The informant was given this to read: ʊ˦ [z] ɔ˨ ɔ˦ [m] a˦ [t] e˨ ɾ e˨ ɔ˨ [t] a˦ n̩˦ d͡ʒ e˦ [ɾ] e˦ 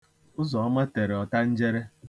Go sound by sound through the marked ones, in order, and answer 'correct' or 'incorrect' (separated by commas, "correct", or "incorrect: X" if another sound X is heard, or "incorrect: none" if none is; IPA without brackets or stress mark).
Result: correct, correct, correct, correct, correct